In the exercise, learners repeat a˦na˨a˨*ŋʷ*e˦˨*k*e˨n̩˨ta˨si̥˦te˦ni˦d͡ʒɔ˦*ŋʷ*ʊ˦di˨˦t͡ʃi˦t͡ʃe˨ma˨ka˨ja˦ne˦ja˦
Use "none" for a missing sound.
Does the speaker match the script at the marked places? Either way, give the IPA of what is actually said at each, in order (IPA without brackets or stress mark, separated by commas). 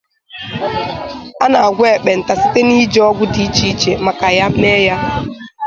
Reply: ɡʷ, k͡p, ɡʷ